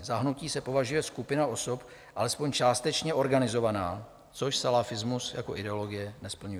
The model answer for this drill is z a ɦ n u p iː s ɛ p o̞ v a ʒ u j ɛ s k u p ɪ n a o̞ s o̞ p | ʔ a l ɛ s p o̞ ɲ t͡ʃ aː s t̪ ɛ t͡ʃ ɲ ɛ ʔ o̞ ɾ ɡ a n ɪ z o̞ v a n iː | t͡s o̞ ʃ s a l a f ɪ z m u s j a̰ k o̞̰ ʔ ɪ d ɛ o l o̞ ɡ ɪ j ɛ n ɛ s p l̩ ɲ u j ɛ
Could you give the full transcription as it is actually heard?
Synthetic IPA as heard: z a ɦ n u c iː s ɛ p o̞ v a ʒ u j ɛ s k u p ɪ n a o̞ s o̞ p | ʔ a l ɛ s p o̞ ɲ t͡ʃ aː s t̪ ɛ t͡ʃ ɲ ɛ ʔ o̞ ɾ ɡ a n ɪ z o̞ v a n aː | t͡s o̞ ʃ s a l a f ɪ z m u s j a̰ k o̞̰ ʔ ɪ d ɛ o l o̞ ɡ ɪ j ɛ n ɛ s p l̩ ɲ u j ɛ